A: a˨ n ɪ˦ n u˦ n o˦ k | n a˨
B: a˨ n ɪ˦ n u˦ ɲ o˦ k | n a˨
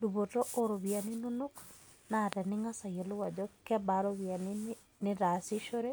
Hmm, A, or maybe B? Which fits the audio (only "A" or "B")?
A